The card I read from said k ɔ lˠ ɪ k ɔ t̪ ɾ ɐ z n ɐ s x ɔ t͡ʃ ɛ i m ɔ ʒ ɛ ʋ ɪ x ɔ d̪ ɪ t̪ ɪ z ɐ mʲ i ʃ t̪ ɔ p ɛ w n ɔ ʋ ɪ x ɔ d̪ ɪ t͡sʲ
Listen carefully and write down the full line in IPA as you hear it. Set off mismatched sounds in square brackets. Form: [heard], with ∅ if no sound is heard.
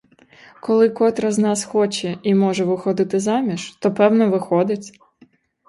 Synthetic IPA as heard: k ɔ lˠ ɪ k ɔ t̪ ɾ ɐ z n [ɑ] s x ɔ t͡ʃ ɛ i m ɔ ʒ ɛ ʋ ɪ x ɔ d̪ ɪ t̪ ɪ z [ɑ] mʲ i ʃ t̪ ɔ p ɛ w n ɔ ʋ ɪ x ɔ d̪ ɪ t͡sʲ